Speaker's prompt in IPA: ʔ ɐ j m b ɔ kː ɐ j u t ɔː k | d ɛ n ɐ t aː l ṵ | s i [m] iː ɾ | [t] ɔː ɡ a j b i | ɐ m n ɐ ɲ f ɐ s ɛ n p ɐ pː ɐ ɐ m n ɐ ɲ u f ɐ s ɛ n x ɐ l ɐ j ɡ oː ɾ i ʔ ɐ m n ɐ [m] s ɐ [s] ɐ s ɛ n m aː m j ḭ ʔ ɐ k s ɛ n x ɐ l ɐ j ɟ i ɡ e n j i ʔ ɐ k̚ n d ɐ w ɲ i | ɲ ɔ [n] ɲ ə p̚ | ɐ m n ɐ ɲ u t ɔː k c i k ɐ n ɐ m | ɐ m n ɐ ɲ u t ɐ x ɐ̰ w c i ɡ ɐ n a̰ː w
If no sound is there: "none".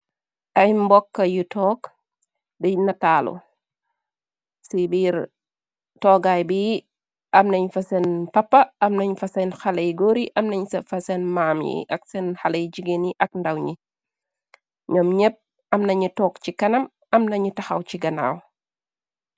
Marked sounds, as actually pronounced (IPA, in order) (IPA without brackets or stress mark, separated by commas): b, t, ɲ, f, m